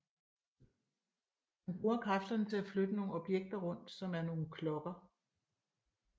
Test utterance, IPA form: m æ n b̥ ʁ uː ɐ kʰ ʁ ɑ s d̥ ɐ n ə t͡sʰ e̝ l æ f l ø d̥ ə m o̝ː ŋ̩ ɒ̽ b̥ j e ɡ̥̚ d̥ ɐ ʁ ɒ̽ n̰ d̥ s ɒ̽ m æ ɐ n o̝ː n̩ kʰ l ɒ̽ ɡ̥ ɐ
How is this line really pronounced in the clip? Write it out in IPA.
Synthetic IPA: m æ n b̥ ʁ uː ɐ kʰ ʁ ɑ f d̥ ɐ n ə t͡sʰ e̝ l æ f l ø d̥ ə n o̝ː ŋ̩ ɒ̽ b̥ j e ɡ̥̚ d̥ ɐ ʁ ɔ̽ n̰ d̥ s ɒ̽ m æ ɐ n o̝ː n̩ kʰ l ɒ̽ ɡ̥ ɐ